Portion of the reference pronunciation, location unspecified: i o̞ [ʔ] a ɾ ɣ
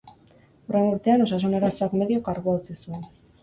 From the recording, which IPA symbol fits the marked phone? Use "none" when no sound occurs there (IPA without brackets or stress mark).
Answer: k